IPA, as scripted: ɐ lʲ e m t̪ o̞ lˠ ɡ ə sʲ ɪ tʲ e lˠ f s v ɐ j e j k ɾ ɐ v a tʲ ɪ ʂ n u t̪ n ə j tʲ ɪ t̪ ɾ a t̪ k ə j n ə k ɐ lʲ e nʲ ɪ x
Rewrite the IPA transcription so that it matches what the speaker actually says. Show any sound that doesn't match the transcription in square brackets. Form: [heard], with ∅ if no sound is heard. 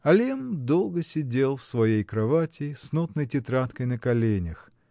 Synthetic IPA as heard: ɐ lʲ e m [d̪] o̞ lˠ ɡ ə sʲ ɪ [dʲ] e lˠ f s v ɐ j e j k ɾ ɐ v a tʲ ɪ [s] n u t̪ n ə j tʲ ɪ t̪ ɾ a t̪ k ə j n ə k ɐ lʲ e nʲ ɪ x